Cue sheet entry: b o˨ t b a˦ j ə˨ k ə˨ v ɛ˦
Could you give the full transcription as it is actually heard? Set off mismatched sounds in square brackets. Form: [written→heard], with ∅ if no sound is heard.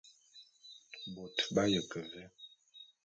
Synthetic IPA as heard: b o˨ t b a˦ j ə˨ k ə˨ v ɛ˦